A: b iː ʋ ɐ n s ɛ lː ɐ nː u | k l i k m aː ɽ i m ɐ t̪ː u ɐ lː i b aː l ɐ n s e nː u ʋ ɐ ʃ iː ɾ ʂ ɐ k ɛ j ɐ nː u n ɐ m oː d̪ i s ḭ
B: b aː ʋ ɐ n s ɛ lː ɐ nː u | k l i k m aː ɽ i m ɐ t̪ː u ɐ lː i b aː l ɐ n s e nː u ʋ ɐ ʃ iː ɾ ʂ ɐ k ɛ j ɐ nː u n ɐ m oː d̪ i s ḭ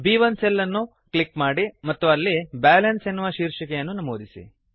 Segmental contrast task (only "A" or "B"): A